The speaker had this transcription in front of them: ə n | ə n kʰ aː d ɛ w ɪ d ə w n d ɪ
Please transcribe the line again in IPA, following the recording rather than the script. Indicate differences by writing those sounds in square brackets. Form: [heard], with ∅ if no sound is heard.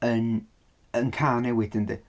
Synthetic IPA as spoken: ə n | ə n kʰ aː [n] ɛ w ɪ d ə [∅] n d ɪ